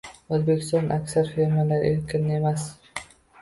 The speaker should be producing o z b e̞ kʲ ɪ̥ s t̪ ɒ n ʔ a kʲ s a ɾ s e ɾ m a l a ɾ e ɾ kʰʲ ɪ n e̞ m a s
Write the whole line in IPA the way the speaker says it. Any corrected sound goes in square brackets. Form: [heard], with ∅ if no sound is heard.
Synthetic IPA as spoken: o z b e̞ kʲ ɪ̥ s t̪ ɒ n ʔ a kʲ s a ɾ [f] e ɾ m a l a ɾ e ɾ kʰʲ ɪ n e̞ m a s